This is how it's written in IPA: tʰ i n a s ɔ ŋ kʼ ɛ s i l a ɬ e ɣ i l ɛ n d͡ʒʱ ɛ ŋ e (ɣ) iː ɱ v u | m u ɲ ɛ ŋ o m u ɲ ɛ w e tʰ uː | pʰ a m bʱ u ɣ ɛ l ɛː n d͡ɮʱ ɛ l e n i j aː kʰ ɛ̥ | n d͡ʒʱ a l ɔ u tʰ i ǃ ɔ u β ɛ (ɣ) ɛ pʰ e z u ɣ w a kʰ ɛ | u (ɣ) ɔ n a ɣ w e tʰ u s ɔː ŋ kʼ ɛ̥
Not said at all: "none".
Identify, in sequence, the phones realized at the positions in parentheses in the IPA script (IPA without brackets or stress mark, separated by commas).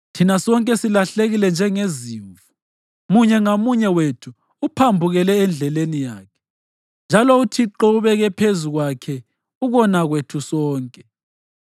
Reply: z, ɣ, ɣ